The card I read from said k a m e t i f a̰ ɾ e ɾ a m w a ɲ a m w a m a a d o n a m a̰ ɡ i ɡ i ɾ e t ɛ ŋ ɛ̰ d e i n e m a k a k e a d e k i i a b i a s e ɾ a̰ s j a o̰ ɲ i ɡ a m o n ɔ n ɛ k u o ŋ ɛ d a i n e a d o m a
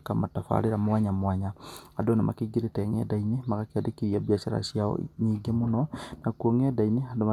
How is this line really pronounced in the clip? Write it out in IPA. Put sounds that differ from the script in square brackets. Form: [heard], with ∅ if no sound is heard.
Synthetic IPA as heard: k a m [a] t [a] f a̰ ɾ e ɾ a m w a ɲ a m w a [ɲ] a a d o n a m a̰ [k] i ɡ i ɾ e t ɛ ŋ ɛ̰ d [a] i n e m a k a k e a d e k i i a b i a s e ɾ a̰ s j a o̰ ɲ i ɡ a m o n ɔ n [a] k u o ŋ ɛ d a i n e a d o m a